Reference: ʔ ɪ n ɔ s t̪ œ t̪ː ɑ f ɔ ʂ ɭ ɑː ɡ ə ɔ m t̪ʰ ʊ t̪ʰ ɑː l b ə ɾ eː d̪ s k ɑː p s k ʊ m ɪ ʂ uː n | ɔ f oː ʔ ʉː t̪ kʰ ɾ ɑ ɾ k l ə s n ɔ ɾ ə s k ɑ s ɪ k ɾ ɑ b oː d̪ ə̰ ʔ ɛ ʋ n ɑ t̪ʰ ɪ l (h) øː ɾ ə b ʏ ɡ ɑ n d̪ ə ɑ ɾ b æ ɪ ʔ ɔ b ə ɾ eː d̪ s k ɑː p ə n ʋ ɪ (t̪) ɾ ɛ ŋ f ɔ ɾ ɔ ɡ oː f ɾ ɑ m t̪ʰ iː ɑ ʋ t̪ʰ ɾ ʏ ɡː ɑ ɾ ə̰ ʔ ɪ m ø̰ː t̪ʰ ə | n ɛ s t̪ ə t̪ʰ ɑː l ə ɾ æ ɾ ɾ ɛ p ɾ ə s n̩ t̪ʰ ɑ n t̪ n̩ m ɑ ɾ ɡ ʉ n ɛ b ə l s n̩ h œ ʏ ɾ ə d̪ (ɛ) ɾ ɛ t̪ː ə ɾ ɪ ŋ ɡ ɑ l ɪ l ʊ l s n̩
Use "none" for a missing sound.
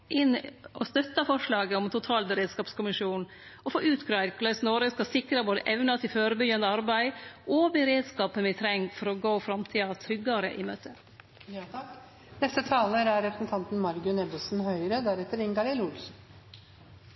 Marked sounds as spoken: f, t̪ʰ, æ

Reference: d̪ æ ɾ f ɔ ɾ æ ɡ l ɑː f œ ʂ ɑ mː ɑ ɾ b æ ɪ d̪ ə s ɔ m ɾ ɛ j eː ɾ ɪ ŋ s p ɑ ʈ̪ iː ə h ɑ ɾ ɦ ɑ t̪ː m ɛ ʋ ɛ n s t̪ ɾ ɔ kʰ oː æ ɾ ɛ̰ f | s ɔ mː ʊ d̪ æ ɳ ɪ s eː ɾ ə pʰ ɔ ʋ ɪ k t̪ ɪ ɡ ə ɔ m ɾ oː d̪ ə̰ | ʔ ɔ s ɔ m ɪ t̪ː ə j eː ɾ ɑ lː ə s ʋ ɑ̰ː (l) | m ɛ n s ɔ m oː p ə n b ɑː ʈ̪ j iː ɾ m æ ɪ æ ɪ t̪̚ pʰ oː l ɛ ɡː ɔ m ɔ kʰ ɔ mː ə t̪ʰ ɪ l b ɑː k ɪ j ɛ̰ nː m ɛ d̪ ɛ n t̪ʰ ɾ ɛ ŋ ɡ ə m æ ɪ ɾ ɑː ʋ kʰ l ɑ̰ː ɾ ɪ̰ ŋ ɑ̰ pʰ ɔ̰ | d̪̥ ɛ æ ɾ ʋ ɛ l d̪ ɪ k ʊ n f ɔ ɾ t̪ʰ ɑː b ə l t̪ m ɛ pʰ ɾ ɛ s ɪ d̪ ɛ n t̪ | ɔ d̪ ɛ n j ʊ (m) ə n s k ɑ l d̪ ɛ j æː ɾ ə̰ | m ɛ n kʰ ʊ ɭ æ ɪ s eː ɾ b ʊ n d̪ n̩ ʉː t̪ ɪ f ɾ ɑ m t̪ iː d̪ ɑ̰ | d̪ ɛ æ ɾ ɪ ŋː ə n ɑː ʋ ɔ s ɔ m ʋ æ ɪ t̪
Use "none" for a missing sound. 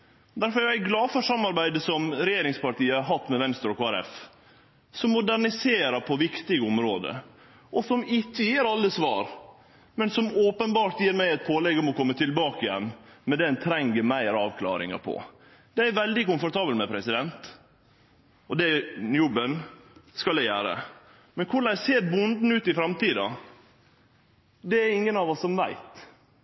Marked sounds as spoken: ɾ, b

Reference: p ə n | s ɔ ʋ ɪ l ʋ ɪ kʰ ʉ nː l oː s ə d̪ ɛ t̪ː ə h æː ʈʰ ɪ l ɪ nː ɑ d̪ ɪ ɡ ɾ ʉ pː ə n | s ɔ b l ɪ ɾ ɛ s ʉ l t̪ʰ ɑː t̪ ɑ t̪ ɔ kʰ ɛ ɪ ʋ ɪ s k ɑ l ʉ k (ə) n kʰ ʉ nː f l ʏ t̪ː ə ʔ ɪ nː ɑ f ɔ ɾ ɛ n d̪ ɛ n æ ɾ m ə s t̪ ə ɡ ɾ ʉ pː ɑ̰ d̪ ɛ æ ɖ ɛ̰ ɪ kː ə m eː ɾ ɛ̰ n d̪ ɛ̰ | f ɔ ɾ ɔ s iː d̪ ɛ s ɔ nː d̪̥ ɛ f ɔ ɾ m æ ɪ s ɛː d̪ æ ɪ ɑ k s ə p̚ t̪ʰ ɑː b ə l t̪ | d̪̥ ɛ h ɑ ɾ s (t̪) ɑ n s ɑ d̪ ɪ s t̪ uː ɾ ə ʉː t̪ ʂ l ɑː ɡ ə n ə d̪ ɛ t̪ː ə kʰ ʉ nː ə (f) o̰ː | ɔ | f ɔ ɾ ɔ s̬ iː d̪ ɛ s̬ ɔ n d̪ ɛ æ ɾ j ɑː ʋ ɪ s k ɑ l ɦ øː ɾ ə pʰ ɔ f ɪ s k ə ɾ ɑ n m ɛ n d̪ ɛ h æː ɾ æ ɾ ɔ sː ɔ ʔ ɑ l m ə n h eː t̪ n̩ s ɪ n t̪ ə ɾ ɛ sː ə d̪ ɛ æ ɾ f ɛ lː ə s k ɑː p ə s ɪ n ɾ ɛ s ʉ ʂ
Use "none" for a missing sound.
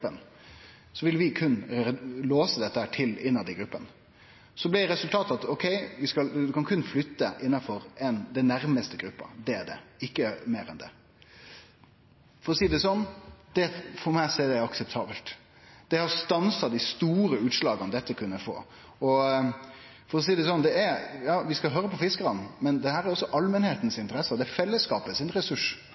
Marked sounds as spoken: ɑ, t̪, f

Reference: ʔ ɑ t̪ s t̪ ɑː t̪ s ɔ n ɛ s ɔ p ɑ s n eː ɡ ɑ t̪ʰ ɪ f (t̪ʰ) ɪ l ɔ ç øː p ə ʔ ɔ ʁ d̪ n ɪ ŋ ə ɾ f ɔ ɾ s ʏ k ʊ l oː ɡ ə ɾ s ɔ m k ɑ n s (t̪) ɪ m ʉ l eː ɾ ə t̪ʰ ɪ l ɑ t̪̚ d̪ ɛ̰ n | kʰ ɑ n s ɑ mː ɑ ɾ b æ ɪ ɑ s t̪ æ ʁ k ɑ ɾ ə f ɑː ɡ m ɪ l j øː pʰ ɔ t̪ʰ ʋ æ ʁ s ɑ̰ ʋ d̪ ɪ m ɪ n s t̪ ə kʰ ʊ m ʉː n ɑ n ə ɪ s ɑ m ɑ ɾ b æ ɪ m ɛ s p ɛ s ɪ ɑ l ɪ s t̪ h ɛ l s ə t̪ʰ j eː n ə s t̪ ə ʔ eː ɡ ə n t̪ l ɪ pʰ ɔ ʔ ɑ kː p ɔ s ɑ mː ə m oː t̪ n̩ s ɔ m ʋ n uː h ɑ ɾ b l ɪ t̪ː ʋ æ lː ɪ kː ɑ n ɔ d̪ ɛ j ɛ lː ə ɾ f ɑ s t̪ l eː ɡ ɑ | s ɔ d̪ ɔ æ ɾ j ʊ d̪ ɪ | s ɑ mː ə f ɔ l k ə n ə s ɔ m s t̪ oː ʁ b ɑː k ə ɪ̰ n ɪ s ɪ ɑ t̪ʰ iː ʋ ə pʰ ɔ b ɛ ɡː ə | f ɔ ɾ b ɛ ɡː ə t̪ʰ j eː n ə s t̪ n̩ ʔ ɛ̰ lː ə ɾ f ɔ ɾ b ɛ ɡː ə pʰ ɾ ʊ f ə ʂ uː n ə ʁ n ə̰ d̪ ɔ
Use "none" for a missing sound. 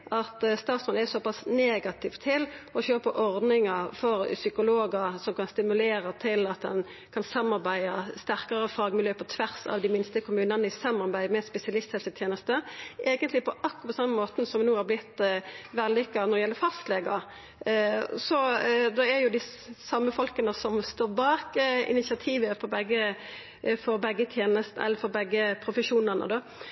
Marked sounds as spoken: t̪ʰ, t̪

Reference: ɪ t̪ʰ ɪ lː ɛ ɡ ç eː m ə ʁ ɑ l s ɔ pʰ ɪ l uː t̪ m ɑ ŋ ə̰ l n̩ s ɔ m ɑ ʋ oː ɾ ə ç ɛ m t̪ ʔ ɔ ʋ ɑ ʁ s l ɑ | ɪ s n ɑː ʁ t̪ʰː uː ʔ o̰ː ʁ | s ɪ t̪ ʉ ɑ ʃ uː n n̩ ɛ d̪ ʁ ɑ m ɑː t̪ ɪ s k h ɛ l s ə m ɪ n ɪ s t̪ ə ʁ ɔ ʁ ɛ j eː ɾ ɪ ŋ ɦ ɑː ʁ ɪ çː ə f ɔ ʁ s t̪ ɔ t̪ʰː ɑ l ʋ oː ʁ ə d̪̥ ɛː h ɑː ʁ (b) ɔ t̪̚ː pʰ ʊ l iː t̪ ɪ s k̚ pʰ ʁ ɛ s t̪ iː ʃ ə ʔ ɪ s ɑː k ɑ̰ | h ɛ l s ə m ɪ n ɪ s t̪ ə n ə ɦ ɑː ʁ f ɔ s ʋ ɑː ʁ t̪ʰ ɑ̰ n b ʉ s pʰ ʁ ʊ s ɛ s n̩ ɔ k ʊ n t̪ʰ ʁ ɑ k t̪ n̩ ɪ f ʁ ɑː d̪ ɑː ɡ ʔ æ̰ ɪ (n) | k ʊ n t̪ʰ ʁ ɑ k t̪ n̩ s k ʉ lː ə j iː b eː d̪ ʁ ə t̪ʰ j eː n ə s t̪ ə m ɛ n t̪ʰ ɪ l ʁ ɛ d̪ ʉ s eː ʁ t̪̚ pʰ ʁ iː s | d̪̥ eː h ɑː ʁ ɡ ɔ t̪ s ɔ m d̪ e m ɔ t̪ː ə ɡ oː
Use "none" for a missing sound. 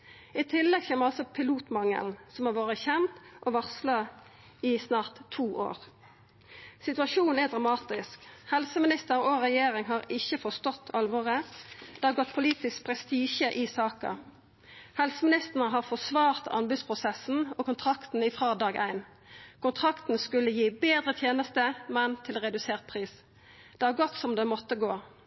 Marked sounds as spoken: ɡ, n

